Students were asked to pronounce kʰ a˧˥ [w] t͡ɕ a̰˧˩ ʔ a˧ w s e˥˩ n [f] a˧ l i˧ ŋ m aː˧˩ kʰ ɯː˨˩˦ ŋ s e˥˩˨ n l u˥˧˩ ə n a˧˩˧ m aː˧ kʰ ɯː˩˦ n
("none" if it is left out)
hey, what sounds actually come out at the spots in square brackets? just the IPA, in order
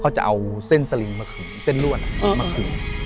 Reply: w, s

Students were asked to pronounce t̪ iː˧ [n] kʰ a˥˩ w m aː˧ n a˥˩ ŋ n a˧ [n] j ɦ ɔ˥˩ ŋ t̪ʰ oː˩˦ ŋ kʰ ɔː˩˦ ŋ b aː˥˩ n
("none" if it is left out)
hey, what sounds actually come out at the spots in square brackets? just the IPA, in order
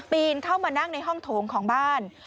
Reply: n, none

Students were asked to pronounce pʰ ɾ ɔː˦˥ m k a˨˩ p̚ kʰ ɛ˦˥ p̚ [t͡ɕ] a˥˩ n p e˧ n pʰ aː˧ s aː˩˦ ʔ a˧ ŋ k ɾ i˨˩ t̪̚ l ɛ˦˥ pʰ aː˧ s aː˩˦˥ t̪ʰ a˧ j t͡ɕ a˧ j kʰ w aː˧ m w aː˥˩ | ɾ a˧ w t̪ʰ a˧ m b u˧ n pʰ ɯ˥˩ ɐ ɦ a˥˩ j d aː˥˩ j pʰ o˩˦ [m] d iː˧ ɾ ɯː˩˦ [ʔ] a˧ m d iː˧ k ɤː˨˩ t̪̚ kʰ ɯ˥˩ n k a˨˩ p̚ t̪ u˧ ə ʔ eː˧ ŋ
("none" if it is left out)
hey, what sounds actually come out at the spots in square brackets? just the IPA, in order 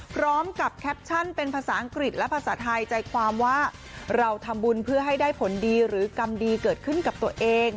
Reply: t͡ɕʰ, n, k

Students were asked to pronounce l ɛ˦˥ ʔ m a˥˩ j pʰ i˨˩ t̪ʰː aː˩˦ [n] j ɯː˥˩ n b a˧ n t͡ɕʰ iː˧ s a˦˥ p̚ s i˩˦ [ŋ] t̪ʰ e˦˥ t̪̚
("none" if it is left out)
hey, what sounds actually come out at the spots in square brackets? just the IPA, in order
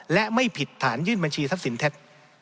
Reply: n, n

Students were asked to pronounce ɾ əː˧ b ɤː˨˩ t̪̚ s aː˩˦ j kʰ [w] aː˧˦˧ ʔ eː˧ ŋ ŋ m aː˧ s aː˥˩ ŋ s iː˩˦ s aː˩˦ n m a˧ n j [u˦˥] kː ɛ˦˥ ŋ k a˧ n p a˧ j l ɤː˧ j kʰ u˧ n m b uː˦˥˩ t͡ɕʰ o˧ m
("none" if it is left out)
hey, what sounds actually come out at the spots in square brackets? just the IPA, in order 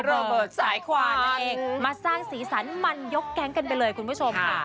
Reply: w, o˦˥

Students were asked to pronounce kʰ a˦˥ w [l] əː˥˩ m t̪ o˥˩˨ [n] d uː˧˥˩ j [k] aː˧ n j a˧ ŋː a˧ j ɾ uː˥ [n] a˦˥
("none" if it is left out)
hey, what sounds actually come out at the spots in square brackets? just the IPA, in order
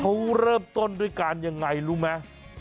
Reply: ɾ, n, k, m

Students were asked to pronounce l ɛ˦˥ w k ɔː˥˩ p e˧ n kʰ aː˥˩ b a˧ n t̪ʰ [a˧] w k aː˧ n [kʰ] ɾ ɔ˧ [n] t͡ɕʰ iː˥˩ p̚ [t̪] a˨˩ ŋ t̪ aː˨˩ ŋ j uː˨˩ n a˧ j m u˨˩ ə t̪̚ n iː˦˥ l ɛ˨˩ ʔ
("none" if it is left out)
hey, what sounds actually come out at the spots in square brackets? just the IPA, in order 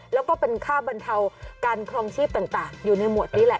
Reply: a˧, kʰ, ŋ, t̪

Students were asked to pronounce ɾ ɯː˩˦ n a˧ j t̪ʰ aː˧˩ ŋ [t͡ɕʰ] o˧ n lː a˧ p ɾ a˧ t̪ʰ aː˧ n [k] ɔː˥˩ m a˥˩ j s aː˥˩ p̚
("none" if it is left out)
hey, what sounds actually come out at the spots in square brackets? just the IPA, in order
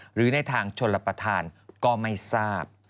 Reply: t͡ɕʰ, k

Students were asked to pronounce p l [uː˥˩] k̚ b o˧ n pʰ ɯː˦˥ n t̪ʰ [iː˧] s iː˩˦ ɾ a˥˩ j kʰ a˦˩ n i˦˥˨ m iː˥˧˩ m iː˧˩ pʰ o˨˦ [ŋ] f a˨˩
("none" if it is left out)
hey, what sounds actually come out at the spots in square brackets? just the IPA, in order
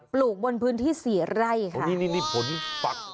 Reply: uː˨˩, iː˥˩, n

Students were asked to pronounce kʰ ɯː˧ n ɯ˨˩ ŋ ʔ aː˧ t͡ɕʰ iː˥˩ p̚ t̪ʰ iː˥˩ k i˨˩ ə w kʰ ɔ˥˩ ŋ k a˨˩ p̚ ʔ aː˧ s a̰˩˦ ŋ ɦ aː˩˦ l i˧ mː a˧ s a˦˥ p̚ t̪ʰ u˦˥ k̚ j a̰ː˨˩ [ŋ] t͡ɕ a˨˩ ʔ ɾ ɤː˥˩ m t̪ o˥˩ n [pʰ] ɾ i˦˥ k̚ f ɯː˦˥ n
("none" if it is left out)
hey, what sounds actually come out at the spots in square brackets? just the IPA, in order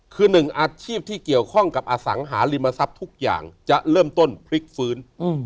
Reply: ŋ, pʰ

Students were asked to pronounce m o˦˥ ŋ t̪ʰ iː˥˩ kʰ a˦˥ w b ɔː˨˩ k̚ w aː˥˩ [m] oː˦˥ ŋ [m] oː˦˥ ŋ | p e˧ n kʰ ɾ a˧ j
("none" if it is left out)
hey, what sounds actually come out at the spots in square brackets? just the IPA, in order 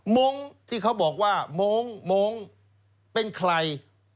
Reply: m, m

